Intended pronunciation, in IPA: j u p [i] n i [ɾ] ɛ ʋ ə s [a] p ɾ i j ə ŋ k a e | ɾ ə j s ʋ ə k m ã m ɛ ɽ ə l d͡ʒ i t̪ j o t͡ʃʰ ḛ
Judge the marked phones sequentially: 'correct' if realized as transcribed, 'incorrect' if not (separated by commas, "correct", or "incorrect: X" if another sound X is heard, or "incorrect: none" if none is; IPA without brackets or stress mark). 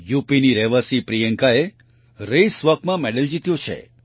correct, correct, incorrect: i